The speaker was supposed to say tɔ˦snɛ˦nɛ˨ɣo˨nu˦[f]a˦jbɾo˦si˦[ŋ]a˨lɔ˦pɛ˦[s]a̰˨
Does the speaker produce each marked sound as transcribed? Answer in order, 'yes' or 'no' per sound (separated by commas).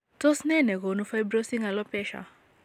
yes, yes, no